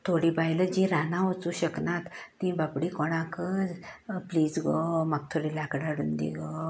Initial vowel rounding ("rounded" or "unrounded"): rounded